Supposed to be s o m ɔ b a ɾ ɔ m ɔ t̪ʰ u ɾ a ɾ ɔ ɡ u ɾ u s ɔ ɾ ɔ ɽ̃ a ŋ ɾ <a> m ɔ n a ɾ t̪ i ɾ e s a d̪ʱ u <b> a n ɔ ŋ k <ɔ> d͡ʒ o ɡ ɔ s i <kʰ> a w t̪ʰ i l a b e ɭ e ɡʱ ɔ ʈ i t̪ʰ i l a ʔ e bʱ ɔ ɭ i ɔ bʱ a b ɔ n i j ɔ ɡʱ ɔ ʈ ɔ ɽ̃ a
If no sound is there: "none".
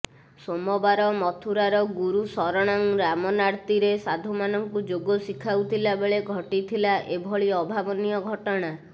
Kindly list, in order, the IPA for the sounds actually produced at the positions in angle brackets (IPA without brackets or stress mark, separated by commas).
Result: a, m, u, kʰ